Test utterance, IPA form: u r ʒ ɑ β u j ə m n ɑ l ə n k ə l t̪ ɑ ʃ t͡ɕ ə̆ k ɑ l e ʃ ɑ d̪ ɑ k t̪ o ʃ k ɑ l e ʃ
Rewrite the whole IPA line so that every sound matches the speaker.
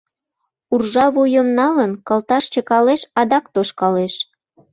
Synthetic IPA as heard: u r ʒ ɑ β u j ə m n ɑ l ə n k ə l t̪ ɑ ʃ t͡ɕ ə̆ k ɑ l e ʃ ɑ d̪ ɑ k t̪ o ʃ k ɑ l e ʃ